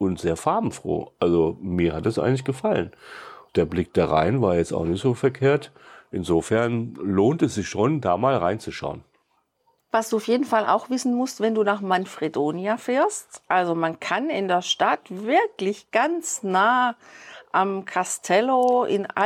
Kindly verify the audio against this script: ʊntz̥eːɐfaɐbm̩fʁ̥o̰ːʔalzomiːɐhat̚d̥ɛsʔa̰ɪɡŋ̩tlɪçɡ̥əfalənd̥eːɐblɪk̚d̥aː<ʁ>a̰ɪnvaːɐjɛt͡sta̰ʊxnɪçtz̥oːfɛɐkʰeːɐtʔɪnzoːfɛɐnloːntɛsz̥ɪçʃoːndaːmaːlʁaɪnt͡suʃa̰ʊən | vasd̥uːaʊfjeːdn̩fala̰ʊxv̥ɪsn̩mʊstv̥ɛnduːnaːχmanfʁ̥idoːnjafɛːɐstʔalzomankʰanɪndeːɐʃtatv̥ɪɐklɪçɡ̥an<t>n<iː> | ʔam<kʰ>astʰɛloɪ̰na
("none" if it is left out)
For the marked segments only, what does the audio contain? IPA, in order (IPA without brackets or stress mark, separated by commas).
ʁ, t͡s, aː, kʰ